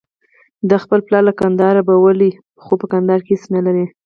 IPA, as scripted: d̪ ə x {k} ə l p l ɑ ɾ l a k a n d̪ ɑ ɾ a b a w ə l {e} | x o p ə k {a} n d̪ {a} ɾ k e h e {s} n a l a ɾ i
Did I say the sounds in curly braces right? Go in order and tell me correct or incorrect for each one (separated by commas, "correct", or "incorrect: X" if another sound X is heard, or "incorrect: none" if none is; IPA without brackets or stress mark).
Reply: incorrect: p, incorrect: i, correct, incorrect: ɑ, correct